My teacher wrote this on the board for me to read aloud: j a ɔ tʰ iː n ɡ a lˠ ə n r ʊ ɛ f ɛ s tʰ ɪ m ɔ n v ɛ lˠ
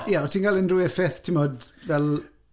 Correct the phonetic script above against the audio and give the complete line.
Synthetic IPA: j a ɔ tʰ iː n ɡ a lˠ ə n r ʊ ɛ f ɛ θ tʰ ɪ m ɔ d v ɛ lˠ